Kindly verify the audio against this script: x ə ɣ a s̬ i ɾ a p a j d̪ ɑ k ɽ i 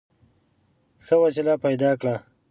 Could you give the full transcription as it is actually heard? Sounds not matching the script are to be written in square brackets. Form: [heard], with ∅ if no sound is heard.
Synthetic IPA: x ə [w] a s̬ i [l] a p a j d̪ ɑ k ɽ [a]